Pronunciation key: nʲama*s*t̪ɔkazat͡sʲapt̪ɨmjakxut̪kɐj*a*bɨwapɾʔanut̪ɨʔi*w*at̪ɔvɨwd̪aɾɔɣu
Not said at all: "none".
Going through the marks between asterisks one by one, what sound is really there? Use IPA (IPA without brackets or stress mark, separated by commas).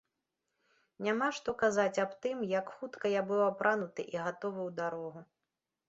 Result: ʂ, a, ɣ